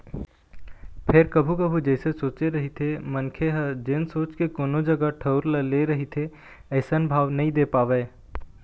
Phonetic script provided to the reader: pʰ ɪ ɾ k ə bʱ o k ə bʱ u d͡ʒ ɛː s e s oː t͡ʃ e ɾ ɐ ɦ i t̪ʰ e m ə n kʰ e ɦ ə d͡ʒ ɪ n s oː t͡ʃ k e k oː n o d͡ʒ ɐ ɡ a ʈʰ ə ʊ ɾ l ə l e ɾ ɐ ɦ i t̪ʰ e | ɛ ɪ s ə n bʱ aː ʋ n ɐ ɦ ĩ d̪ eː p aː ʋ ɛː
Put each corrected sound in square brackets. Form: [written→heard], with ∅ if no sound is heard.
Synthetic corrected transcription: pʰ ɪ ɾ k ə bʱ [o→u] k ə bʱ u d͡ʒ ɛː s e s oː t͡ʃ e ɾ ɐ ɦ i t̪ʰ e m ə n kʰ e ɦ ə d͡ʒ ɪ n s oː t͡ʃ k e k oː n o d͡ʒ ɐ ɡ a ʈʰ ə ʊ ɾ l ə l e ɾ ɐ ɦ i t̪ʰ e | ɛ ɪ s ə n bʱ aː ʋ n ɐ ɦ ĩ d̪ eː p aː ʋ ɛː